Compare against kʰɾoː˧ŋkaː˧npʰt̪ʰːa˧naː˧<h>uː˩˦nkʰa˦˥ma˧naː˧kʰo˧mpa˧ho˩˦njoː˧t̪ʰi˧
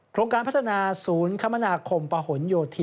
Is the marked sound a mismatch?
yes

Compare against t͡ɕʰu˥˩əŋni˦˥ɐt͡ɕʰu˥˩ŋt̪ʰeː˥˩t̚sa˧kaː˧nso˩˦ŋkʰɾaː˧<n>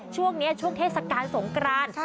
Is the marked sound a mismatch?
no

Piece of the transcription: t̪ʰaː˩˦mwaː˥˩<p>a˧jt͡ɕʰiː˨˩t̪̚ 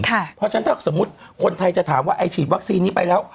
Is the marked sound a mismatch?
yes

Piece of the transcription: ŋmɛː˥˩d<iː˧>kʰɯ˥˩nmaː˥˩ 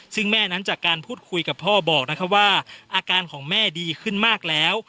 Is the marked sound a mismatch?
no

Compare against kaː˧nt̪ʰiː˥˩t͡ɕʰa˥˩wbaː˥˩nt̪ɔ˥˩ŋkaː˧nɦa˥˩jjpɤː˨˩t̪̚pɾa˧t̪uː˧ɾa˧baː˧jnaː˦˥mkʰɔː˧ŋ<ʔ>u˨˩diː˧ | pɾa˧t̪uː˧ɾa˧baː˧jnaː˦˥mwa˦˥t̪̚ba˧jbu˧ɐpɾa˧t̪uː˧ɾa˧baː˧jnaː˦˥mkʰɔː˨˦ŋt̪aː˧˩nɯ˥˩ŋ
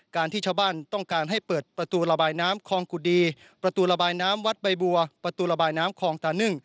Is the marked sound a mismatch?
yes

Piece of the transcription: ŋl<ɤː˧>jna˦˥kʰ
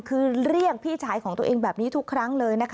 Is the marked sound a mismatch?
no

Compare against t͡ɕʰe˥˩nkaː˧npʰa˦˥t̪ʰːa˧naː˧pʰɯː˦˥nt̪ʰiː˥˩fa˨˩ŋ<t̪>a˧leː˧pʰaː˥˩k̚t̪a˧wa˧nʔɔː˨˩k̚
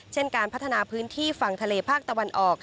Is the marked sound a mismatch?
yes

